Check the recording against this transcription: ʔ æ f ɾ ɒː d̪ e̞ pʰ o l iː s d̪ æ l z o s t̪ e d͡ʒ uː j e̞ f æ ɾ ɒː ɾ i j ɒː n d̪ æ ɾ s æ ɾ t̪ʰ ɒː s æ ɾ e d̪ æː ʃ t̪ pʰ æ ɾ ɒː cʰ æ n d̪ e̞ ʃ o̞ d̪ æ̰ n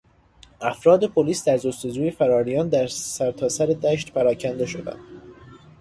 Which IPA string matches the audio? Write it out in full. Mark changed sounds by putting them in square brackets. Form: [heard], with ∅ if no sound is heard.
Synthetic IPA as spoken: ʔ æ f ɾ ɒː d̪ e̞ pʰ o l iː s d̪ æ [ɾ] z o s t̪ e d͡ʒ uː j e̞ f æ ɾ ɒː ɾ i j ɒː n d̪ æ ɾ s æ ɾ t̪ʰ ɒː s æ ɾ e d̪ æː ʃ t̪ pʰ æ ɾ ɒː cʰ æ n d̪ e̞ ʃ o̞ d̪ æ̰ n